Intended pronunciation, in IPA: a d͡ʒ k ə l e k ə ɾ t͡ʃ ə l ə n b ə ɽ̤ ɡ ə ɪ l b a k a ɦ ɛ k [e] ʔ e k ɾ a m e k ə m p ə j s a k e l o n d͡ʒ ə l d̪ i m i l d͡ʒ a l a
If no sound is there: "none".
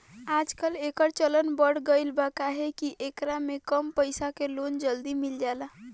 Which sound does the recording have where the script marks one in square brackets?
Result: i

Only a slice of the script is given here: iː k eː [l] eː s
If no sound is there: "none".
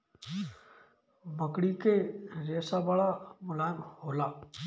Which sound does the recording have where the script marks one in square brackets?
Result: ɾ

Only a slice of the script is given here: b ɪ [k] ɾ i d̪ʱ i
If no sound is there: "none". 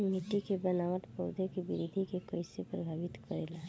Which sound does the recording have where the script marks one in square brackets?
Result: none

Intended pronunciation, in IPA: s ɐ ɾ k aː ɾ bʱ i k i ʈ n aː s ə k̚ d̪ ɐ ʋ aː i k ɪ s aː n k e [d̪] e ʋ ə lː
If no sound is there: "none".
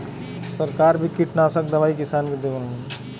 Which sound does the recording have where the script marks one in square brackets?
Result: d̪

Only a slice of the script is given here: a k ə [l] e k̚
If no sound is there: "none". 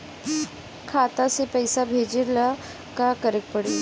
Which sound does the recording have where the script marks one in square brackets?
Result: ɾ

